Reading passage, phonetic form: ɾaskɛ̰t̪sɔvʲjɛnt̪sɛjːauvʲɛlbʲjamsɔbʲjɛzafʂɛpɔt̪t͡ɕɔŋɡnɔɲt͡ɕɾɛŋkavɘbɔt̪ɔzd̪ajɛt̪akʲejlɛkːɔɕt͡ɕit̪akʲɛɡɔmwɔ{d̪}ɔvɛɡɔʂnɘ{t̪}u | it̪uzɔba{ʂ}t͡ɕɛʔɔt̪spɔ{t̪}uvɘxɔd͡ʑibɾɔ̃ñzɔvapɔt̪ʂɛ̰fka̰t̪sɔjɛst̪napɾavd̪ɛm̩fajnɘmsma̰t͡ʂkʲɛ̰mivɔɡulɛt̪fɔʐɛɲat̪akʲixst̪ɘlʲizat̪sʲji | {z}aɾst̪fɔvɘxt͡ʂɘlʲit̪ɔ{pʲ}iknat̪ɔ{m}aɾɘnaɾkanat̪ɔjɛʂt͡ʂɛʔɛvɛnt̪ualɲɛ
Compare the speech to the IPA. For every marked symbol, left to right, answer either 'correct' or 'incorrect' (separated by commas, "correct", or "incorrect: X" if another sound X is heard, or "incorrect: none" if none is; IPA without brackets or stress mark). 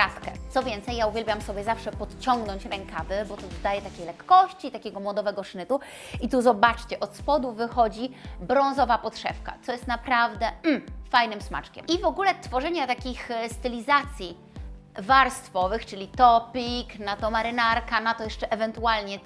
correct, correct, incorrect: t͡ʂ, incorrect: d̪, incorrect: v, correct, correct